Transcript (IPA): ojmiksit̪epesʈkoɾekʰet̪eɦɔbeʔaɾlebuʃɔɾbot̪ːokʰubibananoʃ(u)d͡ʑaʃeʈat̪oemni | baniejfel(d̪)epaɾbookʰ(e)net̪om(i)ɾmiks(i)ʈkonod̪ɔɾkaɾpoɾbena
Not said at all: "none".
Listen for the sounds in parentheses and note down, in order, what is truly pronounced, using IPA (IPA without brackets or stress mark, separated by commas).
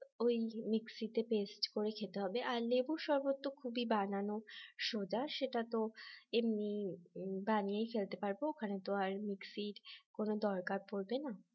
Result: o, t̪, a, a, i